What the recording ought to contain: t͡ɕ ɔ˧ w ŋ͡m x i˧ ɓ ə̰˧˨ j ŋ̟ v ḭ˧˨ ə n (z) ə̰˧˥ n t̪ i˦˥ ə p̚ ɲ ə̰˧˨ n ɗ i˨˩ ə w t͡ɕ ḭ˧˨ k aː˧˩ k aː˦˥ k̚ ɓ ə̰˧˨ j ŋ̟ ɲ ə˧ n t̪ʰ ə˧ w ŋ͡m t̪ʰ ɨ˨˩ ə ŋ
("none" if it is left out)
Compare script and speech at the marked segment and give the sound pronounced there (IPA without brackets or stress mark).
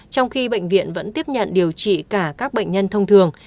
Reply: v